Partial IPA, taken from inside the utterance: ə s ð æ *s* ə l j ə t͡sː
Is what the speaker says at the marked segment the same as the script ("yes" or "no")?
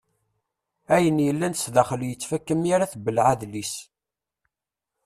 no